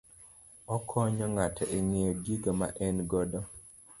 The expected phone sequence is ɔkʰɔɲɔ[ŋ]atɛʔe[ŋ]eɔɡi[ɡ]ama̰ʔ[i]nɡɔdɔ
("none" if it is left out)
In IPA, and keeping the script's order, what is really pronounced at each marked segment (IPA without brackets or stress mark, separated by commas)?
ŋ, ŋ, ɡ, ɛ